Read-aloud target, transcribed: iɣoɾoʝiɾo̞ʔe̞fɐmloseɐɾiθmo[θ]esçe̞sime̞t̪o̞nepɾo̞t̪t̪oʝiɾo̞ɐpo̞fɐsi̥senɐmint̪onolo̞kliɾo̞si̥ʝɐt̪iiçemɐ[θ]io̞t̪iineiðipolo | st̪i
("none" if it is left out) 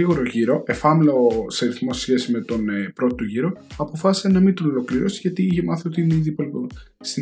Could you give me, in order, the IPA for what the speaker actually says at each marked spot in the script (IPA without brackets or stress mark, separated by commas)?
s, θ